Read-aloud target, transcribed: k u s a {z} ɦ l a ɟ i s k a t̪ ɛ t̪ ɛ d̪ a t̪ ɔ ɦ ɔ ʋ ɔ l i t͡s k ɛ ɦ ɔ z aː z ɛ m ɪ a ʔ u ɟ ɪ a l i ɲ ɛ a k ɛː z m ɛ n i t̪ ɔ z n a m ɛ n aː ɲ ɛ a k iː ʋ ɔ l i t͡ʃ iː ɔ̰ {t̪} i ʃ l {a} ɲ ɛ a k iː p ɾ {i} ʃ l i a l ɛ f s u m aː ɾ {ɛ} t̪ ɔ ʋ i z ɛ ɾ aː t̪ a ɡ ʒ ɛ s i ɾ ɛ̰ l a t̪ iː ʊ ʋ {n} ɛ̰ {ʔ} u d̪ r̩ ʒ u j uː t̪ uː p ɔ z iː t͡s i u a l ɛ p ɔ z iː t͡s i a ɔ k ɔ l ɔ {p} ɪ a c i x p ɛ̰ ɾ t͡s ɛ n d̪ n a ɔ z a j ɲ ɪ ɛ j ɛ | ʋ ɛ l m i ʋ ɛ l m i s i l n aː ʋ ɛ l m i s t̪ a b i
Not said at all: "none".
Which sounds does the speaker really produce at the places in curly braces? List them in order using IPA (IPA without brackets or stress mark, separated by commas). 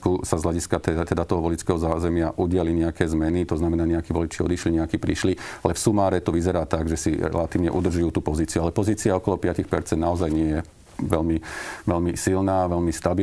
z, d̪, i, i, ɛ, ɲ, ʔ, p